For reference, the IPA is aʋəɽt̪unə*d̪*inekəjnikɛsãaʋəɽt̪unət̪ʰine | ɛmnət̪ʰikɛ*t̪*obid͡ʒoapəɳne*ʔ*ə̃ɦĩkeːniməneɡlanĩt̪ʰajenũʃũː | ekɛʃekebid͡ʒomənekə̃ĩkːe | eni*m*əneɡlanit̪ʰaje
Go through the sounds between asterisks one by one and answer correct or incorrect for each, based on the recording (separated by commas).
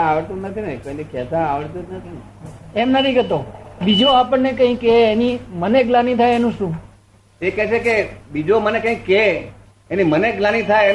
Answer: incorrect, correct, incorrect, correct